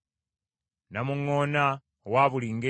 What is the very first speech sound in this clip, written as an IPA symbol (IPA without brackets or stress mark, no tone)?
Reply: n